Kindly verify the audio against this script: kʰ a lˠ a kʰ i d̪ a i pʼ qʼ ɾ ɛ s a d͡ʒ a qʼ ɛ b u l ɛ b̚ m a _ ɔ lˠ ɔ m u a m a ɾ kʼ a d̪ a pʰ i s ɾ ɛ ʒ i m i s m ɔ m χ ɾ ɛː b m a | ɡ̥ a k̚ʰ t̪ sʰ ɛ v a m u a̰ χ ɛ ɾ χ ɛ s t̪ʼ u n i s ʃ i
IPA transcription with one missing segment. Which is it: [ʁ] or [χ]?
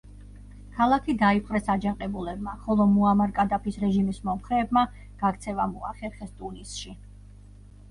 χ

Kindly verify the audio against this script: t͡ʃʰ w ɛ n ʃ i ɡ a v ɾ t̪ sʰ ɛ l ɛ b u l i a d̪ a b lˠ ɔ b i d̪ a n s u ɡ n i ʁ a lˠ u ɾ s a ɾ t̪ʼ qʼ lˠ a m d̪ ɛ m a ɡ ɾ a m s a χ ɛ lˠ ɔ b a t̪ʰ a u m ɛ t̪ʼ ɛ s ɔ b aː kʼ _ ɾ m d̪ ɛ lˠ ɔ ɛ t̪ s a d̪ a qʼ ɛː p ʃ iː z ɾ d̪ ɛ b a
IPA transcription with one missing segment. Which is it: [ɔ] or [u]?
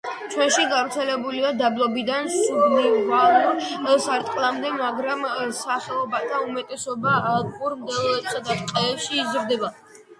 u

